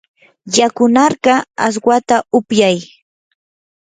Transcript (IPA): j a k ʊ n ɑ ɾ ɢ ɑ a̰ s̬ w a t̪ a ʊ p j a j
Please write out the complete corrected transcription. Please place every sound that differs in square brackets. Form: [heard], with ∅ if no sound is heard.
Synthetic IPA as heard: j a k ʊ n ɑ ɾ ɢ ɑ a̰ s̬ w a t̪ a ʊ p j a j